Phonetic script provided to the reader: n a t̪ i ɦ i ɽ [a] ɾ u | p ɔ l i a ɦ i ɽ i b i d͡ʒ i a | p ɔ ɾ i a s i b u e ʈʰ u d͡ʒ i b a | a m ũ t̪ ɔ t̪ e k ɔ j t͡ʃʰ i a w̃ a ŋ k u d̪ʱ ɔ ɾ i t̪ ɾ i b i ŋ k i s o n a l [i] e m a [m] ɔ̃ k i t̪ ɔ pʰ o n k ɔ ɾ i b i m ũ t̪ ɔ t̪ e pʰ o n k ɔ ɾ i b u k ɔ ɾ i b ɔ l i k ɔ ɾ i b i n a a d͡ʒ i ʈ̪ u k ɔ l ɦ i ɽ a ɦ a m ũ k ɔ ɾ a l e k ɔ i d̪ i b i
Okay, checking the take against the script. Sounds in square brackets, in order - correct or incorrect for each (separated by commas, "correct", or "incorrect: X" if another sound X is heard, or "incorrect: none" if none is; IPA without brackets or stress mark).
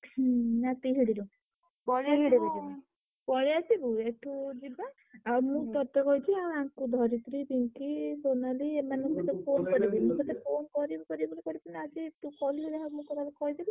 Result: incorrect: i, correct, incorrect: n